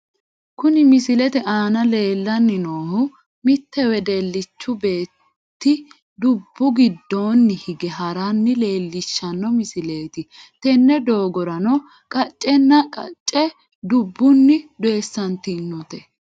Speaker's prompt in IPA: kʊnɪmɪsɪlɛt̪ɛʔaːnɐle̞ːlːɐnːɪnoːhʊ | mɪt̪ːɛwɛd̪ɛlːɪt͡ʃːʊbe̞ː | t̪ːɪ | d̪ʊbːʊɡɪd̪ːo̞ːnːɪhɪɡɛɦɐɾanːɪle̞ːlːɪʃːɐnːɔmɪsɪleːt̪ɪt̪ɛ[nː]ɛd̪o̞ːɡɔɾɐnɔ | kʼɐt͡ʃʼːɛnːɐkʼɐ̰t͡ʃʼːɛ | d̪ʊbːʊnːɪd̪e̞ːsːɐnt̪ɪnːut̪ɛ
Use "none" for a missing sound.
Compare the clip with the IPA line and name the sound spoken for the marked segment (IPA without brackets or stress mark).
nː